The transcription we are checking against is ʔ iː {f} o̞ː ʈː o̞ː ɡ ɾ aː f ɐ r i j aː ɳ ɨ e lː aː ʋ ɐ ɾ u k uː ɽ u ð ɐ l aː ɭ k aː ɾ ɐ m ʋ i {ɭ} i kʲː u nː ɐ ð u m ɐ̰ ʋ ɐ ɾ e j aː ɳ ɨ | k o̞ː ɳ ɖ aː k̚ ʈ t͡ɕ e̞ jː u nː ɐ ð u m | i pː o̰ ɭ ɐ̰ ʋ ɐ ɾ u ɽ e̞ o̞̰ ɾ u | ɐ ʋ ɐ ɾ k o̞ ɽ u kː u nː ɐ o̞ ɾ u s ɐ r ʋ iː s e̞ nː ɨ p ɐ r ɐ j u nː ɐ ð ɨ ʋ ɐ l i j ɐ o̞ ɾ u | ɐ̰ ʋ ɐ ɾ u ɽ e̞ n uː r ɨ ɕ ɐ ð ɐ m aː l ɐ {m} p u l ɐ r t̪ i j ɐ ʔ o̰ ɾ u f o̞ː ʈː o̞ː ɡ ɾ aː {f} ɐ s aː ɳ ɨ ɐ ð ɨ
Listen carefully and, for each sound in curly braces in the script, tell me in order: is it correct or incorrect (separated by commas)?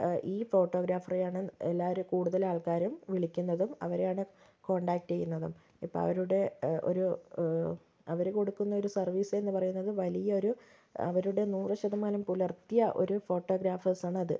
correct, correct, correct, correct